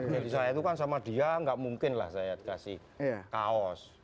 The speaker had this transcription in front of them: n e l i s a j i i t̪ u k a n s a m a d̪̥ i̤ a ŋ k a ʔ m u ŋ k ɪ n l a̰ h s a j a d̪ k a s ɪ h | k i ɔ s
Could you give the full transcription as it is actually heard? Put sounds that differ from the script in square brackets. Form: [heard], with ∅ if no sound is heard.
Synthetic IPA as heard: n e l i s a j [a] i t̪ u k a n s a m a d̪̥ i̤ a ŋ [ɡ] a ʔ m u ŋ k ɪ n l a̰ h s a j a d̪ k a s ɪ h | k [a] ɔ s

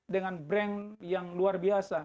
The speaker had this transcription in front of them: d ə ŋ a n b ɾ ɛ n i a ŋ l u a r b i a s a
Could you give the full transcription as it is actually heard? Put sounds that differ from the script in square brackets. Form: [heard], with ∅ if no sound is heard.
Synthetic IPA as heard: d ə ŋ a n b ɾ ɛ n [j] a ŋ l u a r b i a s a

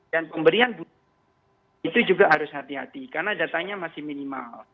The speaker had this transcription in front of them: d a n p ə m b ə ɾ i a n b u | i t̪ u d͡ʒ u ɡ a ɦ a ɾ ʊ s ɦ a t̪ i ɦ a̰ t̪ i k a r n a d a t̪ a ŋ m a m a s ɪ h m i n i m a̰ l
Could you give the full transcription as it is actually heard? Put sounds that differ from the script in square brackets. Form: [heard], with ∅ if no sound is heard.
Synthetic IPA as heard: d a n p ə m b ə ɾ i a n b u | i t̪ u d͡ʒ u ɡ a ɦ a ɾ ʊ s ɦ a t̪ i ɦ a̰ t̪ i k a r n a d a t̪ a ŋ [ɲ] a m a s ɪ h m i n i m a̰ l

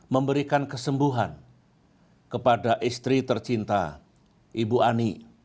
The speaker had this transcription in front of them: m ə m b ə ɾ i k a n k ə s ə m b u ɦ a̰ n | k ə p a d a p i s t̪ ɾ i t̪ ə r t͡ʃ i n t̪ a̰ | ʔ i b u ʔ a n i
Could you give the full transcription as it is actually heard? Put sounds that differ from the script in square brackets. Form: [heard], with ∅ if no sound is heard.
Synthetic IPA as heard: m ə m b ə ɾ i k a n k ə s ə m b u ɦ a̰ n | k ə p a d a [ʔ] i s t̪ ɾ i t̪ ə r t͡ʃ i n t̪ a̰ | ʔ i b u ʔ a n i

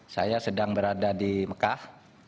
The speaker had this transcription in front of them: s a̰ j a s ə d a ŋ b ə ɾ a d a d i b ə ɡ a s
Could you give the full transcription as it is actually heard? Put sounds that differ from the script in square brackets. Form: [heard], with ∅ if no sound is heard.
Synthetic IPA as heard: s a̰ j a s ə d a ŋ b ə ɾ a d a d i [m] ə [k] a [h]

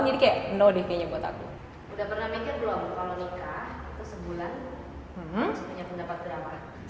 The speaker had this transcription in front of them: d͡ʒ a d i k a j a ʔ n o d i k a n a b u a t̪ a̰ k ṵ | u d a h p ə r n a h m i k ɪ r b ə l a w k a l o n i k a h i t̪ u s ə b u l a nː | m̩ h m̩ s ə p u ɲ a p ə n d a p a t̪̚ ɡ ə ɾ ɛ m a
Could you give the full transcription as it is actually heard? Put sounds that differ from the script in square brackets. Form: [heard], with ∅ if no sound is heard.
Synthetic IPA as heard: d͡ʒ a d i k a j a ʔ n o d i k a [ɲ] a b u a t̪ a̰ k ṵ | u d a h p ə r n a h m i k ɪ r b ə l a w k a l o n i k a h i t̪ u s ə b u l a [n] | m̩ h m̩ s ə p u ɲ a p ə n d a p a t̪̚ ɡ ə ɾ [a] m a

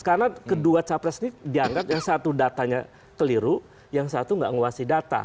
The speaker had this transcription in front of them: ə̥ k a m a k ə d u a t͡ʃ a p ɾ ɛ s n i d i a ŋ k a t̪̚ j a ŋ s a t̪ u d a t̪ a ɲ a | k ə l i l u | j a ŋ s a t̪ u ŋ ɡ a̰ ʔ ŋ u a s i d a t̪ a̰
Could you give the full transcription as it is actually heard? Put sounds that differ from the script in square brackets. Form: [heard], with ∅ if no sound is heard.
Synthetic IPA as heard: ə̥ k a [n] a k ə d u a t͡ʃ a p ɾ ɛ s n i d i a ŋ [ɡ] a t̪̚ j a ŋ s a t̪ u d a t̪ a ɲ a | k ə l i [ɾ] u | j a ŋ s a t̪ u ŋ ɡ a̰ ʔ ŋ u a s i d a t̪ a̰

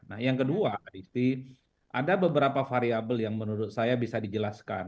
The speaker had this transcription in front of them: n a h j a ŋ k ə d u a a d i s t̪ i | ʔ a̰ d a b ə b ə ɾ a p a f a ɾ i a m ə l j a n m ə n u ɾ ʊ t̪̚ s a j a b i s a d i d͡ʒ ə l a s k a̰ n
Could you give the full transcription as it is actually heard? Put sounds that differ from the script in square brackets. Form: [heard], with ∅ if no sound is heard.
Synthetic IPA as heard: n a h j a ŋ k ə d u a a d i s t̪ i | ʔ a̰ d a b ə b ə ɾ a p a f a ɾ i a [b] ə l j a [ŋ] m ə n u ɾ ʊ t̪̚ s a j a b i s a d i d͡ʒ ə l a s k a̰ n

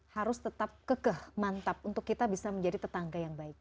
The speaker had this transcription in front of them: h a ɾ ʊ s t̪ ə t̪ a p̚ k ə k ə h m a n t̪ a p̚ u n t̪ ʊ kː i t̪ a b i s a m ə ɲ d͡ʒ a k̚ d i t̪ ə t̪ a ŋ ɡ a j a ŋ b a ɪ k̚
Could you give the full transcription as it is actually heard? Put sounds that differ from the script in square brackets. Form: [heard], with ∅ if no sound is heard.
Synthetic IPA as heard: h a ɾ ʊ s t̪ ə t̪ a p̚ k ə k ə h m a n t̪ a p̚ u n t̪ ʊ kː i t̪ a b i s a m ə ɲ d͡ʒ a [∅] d i t̪ ə t̪ a ŋ ɡ a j a ŋ b a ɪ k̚

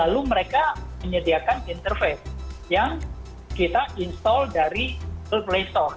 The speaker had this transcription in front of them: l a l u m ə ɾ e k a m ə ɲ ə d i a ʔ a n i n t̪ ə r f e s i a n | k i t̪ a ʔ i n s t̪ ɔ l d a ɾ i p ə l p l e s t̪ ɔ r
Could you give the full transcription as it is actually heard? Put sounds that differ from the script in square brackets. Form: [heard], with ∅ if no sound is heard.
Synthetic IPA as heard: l a l u m ə ɾ e k a m ə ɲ ə d i a [k] a n i n t̪ ə r f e s [j] a [ŋ] | k i t̪ a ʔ i n s t̪ ɔ l d a ɾ i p ə l p l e s t̪ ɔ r

